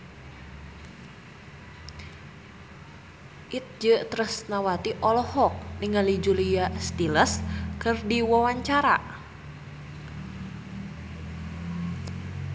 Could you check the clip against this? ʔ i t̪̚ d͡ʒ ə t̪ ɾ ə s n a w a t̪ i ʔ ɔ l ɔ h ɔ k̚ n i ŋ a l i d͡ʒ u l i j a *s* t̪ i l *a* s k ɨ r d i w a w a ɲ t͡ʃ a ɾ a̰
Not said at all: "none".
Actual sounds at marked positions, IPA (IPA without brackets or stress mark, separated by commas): s, ə